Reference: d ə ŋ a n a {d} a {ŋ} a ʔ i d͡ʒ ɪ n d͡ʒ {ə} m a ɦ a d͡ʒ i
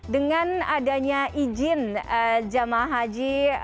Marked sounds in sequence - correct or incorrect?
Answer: correct, incorrect, incorrect

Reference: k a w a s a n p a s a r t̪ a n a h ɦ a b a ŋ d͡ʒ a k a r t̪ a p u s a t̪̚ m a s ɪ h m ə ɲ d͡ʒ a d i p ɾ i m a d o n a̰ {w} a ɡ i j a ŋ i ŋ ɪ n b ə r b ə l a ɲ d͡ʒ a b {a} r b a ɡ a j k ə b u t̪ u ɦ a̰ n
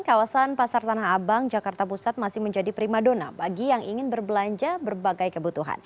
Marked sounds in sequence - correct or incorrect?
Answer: incorrect, incorrect

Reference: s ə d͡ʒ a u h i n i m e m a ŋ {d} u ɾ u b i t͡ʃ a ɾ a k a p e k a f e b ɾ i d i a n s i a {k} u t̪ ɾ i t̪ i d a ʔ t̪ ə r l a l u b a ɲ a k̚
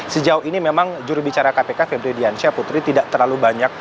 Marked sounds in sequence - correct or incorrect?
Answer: incorrect, incorrect

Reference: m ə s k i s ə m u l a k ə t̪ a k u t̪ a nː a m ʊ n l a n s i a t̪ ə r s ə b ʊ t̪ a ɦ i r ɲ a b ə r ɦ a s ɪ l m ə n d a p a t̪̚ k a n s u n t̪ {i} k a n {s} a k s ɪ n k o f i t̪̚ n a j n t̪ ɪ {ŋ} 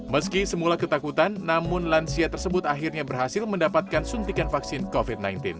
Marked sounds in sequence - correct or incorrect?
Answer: correct, incorrect, incorrect

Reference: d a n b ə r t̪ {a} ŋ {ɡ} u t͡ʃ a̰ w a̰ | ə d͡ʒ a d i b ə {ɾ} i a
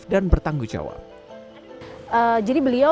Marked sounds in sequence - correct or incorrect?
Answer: correct, correct, incorrect

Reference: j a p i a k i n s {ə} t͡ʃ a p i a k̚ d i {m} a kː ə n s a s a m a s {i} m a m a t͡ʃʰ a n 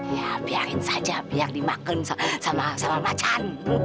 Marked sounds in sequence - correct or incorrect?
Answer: incorrect, correct, incorrect

